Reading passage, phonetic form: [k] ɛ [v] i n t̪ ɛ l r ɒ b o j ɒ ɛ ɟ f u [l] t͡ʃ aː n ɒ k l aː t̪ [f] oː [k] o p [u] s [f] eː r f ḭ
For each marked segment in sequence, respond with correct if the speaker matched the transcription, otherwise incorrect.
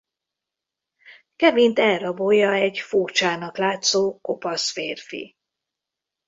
correct, correct, incorrect: r, incorrect: s, correct, incorrect: ɒ, correct

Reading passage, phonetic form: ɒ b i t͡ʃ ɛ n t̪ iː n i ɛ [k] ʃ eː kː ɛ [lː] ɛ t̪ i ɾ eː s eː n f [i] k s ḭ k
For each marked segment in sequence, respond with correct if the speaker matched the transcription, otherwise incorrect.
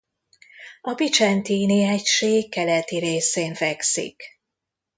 incorrect: c, incorrect: l, incorrect: ɛ

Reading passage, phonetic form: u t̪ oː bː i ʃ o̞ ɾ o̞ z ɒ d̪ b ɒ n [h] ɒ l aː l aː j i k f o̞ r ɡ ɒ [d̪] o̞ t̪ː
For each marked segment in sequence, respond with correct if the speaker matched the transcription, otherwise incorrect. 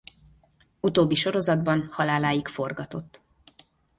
correct, incorrect: t̪

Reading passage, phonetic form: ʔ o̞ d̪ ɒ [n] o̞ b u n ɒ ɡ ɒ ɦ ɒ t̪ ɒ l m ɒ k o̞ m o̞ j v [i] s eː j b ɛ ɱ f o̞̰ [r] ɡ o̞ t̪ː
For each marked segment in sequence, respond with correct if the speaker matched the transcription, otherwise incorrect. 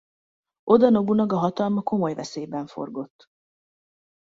correct, incorrect: ɛ, correct

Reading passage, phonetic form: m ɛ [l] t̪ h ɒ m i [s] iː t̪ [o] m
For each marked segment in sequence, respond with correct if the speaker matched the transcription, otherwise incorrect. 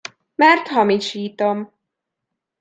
incorrect: r, incorrect: ʃ, correct

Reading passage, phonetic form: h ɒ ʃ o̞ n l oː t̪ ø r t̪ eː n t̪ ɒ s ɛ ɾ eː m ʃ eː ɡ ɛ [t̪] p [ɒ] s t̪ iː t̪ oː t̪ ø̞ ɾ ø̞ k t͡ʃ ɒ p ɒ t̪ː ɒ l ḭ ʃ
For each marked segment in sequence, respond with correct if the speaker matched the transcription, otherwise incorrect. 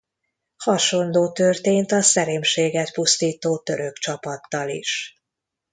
correct, incorrect: u

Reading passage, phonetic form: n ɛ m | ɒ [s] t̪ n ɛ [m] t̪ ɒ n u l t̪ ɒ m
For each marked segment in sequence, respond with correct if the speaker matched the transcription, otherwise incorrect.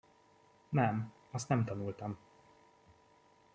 correct, correct

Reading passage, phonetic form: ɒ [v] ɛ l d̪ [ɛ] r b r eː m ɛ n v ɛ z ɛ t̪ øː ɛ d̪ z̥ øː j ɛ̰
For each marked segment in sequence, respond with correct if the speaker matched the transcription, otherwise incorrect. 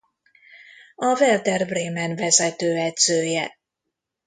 correct, correct

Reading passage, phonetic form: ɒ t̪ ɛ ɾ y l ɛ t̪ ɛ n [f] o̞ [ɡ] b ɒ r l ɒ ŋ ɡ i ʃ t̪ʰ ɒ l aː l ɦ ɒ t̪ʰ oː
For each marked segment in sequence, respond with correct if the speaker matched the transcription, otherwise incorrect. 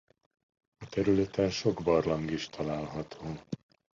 incorrect: ʃ, correct

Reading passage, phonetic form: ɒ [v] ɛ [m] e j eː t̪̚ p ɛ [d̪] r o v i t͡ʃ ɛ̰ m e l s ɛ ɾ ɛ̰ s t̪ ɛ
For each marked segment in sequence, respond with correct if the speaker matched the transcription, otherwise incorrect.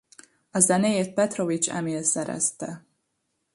incorrect: z, incorrect: n, incorrect: t̪

